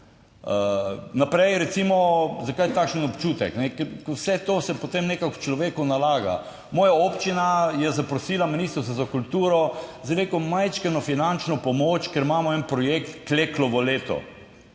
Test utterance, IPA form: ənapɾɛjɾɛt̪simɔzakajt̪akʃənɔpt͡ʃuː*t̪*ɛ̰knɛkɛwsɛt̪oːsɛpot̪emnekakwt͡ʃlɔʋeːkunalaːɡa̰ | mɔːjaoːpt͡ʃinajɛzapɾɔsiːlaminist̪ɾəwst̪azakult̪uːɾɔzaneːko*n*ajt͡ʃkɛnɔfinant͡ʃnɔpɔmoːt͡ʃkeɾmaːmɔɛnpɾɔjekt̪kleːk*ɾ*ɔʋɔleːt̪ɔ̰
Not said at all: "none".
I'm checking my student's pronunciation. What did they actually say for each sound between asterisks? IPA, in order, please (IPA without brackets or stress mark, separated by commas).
t̪, m, l